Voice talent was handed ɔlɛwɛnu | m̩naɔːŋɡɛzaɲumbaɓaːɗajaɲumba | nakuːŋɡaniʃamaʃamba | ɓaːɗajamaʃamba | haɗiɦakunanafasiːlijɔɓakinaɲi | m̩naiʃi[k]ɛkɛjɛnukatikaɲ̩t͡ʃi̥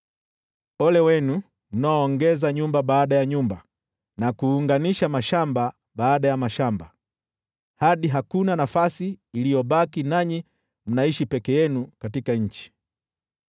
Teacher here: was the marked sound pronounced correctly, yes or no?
no